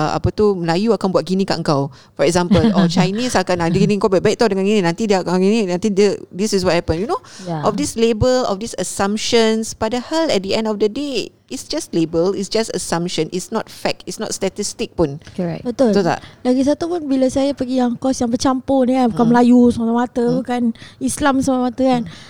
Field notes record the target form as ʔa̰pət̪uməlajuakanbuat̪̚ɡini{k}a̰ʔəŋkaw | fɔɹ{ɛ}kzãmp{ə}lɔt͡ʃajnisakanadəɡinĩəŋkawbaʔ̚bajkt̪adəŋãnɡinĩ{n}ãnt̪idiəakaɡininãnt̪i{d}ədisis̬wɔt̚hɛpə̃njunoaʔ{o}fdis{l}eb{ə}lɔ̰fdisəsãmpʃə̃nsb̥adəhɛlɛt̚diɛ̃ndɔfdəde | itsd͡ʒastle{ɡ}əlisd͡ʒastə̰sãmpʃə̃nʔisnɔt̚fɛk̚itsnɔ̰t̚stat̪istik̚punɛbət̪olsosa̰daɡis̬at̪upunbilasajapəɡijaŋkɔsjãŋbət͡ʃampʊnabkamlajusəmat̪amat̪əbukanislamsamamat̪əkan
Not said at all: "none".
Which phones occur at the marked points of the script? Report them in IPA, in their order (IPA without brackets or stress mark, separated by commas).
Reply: k, ɛ, ə, n, d, ɔ, l, ə, b